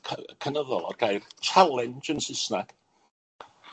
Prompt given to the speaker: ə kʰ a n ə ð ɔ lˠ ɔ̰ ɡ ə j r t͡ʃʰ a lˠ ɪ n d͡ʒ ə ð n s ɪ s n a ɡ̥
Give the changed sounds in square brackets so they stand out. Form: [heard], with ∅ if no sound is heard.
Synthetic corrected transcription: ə kʰ [ə] n ə ð ɔ lˠ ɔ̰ ɡ [a] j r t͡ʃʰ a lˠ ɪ n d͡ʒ ə [∅] n s ɪ s n a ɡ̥